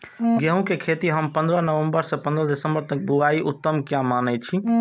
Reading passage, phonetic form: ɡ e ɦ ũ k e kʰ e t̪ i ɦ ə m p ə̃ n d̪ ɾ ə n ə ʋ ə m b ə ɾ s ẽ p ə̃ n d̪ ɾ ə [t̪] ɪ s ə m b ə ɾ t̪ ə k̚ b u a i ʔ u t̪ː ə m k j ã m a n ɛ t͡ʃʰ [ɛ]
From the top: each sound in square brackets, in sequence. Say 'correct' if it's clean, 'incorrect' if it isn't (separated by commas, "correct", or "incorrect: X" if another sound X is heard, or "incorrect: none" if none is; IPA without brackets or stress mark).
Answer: incorrect: d̪, incorrect: i